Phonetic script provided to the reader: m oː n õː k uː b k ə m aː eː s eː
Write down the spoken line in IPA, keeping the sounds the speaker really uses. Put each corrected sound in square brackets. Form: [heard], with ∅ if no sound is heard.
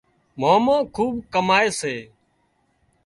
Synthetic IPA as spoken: m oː [m] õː [kʰ] uː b k ə m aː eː s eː